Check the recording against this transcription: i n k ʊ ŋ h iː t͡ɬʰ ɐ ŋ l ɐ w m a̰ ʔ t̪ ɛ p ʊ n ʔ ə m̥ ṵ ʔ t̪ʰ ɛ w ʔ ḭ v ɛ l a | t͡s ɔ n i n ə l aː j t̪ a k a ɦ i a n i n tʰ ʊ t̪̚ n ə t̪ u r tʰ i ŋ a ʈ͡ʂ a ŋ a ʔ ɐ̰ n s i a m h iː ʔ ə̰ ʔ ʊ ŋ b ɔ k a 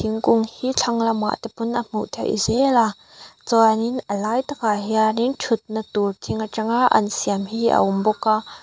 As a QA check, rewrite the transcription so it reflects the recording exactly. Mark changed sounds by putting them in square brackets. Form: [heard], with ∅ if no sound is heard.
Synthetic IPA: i [ŋ] k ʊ ŋ h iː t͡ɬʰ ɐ ŋ l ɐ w m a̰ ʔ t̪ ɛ p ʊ n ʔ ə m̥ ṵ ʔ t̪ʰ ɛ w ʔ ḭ [z] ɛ l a | t͡s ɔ n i n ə l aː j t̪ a k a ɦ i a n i n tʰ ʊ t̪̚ n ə t̪ u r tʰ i ŋ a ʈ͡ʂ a ŋ a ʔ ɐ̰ n s i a m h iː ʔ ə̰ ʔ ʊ [m] b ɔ k a